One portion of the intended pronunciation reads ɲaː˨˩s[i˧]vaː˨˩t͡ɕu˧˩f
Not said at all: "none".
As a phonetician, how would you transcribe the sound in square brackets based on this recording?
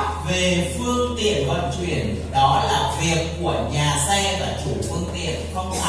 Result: ɛ˧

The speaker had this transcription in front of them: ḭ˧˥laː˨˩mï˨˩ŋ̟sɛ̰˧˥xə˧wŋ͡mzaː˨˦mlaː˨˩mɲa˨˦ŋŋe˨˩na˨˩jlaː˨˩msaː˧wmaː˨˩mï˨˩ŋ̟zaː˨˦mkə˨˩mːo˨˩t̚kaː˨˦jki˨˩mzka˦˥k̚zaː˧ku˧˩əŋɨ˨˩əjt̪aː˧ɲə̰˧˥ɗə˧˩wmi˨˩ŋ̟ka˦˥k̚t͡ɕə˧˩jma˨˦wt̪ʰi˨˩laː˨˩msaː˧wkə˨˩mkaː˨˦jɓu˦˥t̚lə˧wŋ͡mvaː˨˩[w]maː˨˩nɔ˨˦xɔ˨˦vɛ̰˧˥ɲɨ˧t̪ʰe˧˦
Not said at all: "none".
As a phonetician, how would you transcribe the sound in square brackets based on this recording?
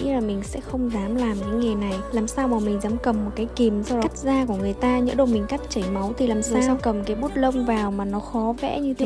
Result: w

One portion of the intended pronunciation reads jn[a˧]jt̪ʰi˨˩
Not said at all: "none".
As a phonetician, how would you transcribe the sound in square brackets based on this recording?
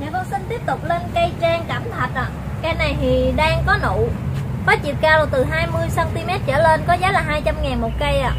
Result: a˨˩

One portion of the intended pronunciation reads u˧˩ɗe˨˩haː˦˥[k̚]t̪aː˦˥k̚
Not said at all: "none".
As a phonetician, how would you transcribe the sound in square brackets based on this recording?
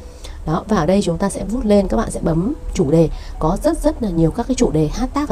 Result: t̚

